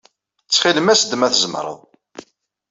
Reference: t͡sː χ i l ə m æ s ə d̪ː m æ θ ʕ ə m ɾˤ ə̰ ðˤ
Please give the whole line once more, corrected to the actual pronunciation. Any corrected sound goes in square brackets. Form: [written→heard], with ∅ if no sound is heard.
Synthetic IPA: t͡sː χ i l ə m æ s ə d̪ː m æ θ [ʕ→z] ə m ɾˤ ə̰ ðˤ